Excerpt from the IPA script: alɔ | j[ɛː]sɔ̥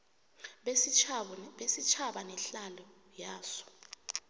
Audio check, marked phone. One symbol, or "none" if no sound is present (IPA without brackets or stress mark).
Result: aː